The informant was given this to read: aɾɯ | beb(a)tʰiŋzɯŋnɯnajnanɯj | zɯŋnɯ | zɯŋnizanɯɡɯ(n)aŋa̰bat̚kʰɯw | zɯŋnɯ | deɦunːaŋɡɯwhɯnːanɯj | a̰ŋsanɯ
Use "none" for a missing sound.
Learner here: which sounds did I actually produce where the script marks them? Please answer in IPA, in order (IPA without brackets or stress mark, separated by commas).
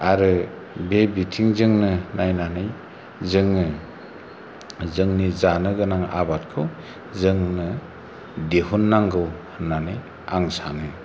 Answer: i, n